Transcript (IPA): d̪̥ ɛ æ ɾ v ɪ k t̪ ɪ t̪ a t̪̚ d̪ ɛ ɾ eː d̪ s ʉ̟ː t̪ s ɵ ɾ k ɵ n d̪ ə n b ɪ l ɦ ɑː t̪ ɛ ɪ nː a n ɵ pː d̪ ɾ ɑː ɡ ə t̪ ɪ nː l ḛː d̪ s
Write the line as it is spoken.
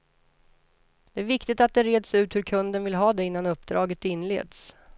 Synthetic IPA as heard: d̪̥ ɛ æ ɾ v ɪ k t̪ ɪ t̪ a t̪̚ d̪ ɛ ɾ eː d̪ s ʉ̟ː t̪ h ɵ ɾ kʰ ɵ n d̪ ə n v ɪ l ɦ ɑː d̪ ɛ ɪ nː a n ɵ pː d̪ ɾ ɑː ɡ ə t̪ ɪ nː l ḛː d̪ s